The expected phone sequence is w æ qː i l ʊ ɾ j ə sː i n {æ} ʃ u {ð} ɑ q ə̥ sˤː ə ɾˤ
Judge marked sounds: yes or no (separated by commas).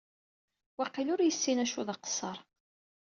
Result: yes, yes